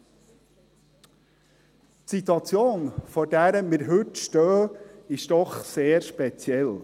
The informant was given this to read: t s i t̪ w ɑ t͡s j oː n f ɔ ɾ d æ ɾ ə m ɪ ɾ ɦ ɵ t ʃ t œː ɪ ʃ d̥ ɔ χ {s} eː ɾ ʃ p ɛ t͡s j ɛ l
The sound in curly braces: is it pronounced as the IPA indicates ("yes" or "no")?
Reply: yes